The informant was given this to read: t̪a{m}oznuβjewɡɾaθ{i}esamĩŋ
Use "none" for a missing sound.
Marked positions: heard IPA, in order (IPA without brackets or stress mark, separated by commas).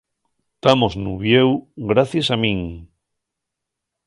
m, j